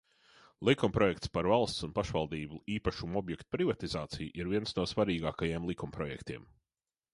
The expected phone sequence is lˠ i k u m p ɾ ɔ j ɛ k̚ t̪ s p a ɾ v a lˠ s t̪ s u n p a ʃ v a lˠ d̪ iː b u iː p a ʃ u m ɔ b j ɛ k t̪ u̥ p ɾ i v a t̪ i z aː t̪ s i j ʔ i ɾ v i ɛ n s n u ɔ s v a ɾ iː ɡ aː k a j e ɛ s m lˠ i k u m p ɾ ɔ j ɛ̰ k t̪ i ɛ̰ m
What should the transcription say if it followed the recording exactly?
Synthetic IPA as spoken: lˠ i k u m p ɾ ɔ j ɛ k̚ t̪ s p a ɾ v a lˠ s t̪ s u n p a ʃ v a lˠ d̪ iː b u iː p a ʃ u m ɔ b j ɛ k t̪ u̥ p ɾ i v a t̪ i z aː t̪ s i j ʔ i ɾ v i ɛ n s n u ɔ s v a ɾ iː ɡ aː k a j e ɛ m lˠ i k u m p ɾ ɔ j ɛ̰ k t̪ i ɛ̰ m